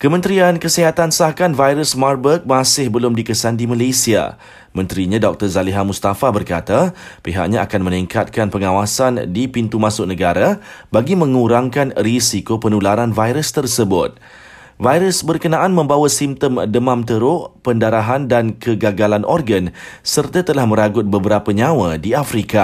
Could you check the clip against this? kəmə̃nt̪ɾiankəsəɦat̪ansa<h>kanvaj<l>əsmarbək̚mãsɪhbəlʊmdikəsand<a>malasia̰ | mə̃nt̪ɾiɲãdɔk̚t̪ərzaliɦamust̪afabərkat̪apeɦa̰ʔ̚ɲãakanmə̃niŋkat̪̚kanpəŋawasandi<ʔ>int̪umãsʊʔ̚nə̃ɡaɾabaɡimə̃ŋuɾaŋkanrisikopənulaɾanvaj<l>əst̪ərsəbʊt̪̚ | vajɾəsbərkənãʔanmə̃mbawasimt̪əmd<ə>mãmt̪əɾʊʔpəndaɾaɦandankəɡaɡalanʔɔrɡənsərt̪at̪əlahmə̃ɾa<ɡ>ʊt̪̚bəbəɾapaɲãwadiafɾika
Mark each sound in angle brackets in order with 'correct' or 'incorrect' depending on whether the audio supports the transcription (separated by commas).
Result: correct, incorrect, incorrect, incorrect, incorrect, correct, correct